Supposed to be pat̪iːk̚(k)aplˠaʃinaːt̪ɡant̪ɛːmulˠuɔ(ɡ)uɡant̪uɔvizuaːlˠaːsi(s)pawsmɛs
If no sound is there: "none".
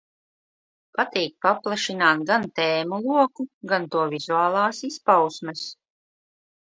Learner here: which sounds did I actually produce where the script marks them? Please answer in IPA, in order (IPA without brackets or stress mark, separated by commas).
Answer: p, k, s